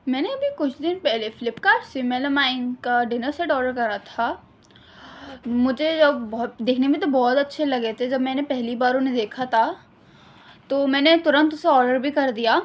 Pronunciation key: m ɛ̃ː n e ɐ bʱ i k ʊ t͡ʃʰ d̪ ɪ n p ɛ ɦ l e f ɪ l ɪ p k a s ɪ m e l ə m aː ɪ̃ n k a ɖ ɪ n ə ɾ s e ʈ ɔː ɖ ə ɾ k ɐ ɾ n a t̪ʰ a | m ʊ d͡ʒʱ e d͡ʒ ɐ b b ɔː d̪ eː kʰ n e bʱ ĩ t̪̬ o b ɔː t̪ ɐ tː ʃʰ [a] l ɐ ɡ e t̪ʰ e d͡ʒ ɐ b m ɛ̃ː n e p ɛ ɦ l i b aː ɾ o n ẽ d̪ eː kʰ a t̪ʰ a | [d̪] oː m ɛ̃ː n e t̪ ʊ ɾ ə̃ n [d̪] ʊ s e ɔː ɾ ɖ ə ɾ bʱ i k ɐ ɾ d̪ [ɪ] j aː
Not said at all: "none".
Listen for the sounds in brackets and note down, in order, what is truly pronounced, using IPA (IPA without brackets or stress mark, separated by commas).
e, t̪, t̪, i